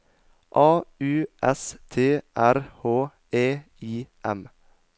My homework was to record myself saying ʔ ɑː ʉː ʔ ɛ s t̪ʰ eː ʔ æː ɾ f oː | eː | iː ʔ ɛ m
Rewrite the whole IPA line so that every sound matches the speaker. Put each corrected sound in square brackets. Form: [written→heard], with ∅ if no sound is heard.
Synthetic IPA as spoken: ʔ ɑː ʉː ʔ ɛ s t̪ʰ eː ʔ [æː→æ] ɾ [f→h] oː | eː | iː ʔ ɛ m